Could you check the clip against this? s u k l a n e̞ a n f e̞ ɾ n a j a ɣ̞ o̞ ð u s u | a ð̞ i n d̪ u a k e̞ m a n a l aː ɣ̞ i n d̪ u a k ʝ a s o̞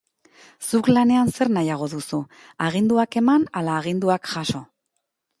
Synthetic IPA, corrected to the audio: s u k l a n e̞ a n s e̞ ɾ n a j a ɣ̞ o̞ ð u s u | a ɣ̞ i n d̪ u a k e̞ m a n a l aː ɣ̞ i n d̪ u a k ʝ a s o̞